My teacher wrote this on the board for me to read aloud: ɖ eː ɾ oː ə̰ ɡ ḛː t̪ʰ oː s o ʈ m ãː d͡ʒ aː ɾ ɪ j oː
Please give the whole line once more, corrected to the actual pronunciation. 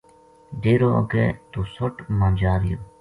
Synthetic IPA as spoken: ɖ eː ɾ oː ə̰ ɡ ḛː t̪ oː s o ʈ m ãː d͡ʒ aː ɾ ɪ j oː